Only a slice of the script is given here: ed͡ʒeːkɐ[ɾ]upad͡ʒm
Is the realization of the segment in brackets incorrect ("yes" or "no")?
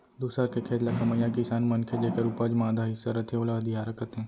no